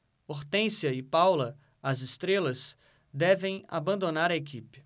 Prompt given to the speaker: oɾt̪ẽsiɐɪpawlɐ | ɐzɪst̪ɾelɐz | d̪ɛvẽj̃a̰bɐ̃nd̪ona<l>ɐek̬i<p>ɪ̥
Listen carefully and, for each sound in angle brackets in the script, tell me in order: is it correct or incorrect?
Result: incorrect, correct

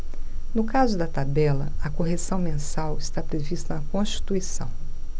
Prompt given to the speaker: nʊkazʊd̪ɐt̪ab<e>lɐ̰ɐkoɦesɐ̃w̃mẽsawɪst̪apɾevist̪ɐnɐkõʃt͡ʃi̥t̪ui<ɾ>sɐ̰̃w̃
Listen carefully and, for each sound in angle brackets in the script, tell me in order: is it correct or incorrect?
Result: incorrect, incorrect

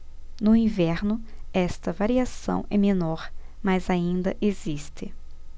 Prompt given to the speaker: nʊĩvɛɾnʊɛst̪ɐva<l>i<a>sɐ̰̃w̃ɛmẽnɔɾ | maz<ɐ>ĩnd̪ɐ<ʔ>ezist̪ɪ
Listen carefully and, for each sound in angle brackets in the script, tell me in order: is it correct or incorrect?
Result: incorrect, correct, incorrect, correct

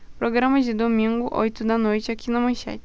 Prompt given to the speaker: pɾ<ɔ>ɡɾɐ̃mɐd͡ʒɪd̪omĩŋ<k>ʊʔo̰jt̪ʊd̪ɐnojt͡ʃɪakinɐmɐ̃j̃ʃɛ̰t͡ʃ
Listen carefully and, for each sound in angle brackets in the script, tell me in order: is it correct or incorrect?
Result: incorrect, incorrect

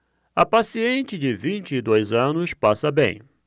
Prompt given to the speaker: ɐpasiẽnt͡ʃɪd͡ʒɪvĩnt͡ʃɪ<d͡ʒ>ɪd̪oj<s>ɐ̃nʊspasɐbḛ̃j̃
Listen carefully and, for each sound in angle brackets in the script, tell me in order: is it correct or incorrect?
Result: incorrect, incorrect

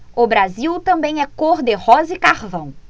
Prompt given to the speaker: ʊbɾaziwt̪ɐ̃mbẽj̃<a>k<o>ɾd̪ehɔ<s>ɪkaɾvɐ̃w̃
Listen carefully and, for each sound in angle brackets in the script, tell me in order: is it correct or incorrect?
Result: incorrect, correct, incorrect

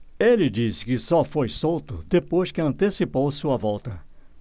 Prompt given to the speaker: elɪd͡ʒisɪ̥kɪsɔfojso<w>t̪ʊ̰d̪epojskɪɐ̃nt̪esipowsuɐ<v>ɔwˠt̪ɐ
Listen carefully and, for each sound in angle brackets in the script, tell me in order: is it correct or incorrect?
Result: correct, correct

